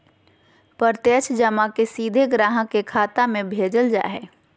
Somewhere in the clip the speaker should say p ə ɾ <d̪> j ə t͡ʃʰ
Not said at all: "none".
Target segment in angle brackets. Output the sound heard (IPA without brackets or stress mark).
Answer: t̪